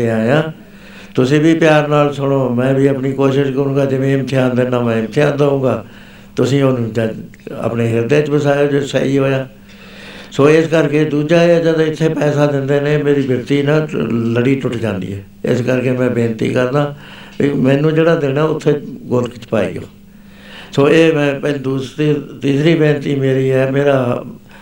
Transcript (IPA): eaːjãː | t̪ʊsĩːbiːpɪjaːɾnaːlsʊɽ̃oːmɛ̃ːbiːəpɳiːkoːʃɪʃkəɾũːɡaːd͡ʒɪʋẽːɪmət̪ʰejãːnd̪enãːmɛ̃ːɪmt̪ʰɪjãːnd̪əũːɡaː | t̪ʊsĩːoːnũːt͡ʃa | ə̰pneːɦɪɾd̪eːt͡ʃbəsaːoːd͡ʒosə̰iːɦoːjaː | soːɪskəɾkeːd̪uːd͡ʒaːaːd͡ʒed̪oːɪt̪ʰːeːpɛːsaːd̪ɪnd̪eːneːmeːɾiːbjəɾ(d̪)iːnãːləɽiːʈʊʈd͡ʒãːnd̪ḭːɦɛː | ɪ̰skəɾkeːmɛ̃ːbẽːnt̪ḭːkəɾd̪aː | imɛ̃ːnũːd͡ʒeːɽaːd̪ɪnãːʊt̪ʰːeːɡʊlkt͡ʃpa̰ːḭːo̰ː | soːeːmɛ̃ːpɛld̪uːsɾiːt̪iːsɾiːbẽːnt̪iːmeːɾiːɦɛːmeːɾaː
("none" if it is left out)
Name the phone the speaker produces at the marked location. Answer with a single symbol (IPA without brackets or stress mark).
t̪